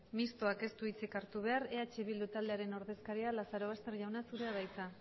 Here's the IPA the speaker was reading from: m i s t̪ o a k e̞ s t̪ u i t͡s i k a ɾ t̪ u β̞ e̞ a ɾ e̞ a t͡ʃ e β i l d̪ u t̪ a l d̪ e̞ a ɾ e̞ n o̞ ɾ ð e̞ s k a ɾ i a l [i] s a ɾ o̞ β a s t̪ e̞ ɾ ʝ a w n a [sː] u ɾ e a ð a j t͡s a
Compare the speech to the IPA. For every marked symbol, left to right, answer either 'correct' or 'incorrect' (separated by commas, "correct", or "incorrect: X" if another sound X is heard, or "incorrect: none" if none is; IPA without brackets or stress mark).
incorrect: a, incorrect: s